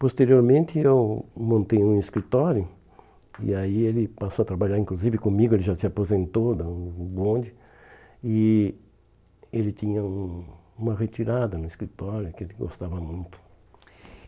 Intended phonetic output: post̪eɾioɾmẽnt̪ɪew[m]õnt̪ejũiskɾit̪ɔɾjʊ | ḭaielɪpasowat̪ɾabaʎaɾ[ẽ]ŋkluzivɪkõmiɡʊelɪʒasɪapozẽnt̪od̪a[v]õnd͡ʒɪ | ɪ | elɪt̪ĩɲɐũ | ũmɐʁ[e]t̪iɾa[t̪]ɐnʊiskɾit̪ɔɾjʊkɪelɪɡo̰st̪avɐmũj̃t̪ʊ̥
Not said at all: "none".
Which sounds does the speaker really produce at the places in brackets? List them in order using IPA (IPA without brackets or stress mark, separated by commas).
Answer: m, ĩ, b, e, d̪